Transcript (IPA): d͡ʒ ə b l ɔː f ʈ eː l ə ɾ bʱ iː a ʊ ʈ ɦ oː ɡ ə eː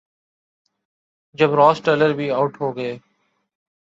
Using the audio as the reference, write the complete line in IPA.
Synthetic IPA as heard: d͡ʒ ə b ɾ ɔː s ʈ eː l ə ɾ bʱ iː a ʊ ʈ ɦ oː ɡ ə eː